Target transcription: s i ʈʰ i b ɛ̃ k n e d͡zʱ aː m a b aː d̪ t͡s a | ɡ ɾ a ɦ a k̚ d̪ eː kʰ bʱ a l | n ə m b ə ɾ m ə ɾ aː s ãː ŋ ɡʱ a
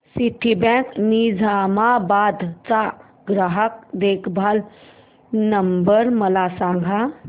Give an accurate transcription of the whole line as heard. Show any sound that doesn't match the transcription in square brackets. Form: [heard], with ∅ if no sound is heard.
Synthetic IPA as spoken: s i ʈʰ i b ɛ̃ k n [i] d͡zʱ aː m a b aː d̪ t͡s a | ɡ ɾ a ɦ [ə] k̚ d̪ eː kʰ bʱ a l | n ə m b ə ɾ m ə [l] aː s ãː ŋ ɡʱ a